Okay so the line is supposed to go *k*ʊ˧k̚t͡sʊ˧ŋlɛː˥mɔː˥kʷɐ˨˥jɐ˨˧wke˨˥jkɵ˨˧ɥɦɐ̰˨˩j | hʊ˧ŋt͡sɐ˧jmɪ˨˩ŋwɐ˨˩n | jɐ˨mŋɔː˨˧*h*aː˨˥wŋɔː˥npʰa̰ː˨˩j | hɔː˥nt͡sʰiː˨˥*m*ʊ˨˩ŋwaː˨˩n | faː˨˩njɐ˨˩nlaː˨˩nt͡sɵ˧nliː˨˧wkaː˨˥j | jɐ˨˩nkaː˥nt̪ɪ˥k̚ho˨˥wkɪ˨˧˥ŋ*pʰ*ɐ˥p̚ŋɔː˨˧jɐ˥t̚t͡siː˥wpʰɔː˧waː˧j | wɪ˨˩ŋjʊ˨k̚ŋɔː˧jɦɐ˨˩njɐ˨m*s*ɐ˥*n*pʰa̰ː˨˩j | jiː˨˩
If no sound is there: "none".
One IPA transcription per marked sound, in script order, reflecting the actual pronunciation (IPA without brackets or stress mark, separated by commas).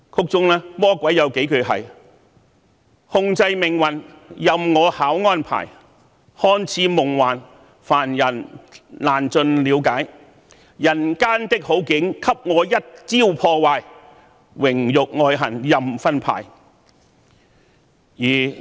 kʰ, h, m, kʰ, f, n